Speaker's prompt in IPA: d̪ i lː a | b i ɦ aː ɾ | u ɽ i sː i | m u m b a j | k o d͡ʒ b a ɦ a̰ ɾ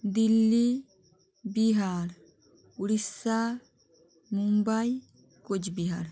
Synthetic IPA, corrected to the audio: d̪ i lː i | b i ɦ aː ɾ | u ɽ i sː a | m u m b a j | k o d͡ʒ b i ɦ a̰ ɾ